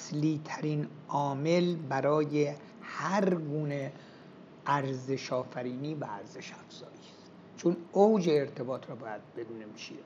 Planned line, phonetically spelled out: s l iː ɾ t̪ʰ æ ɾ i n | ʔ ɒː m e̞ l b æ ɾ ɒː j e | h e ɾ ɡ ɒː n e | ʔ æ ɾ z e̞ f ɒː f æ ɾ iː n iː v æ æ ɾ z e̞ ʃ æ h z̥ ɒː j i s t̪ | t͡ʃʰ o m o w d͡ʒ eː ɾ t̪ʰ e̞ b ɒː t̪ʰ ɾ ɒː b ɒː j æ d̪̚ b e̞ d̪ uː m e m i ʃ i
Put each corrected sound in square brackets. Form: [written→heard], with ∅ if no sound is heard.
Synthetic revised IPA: s l iː [ɾ→∅] t̪ʰ æ ɾ i n | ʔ ɒː m e̞ l b æ ɾ ɒː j e | h [e→æ] ɾ ɡ [ɒː→uː] n e | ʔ æ ɾ z e̞ [f→ʃ] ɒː f æ ɾ iː n iː v æ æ ɾ z e̞ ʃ æ [h→f] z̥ ɒː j i s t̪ | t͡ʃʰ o [m→n] o w d͡ʒ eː ɾ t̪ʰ e̞ b ɒː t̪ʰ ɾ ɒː b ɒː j æ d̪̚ b e̞ d̪ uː [m→n] e m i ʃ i